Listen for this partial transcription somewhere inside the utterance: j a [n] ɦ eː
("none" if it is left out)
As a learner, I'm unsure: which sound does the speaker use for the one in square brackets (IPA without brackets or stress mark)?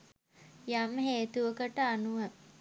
m